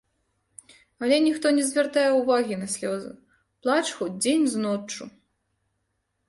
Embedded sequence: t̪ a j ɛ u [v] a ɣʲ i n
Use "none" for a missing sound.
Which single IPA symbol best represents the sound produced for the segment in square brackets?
v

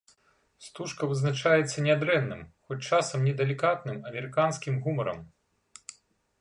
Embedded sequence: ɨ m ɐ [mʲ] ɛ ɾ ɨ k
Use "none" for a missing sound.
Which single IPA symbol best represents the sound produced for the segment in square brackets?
mʲ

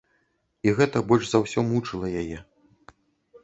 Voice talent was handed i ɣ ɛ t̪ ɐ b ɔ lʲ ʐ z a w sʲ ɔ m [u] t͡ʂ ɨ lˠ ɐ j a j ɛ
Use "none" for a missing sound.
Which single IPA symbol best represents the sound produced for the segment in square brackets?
u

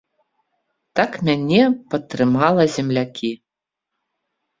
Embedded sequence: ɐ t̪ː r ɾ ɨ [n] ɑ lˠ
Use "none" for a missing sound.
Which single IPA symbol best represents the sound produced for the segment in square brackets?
m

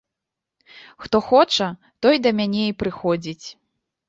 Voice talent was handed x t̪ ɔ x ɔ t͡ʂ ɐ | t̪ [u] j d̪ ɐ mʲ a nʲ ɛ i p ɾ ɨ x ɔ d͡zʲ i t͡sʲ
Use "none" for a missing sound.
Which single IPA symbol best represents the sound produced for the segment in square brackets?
ɔ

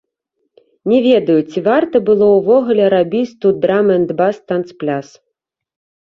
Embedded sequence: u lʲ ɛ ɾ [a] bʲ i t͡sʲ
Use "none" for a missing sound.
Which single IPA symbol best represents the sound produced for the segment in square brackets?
a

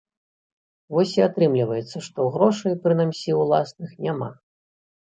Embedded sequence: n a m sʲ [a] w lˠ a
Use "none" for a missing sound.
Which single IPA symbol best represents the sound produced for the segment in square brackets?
i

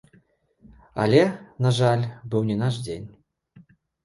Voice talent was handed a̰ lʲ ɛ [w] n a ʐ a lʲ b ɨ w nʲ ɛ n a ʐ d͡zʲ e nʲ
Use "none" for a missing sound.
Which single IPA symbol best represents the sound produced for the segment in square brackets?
none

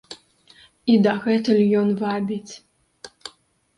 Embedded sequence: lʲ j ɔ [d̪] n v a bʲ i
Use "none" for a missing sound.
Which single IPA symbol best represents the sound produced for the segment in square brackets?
none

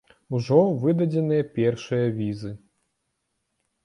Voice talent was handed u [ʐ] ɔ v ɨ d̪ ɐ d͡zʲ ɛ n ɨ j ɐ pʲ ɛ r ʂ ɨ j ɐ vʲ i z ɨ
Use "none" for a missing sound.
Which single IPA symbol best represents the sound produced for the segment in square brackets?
ʐ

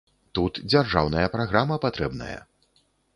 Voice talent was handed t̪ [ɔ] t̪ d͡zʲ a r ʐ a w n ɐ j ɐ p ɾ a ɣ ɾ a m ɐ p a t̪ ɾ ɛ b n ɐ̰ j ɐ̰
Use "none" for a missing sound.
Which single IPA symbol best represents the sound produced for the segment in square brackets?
u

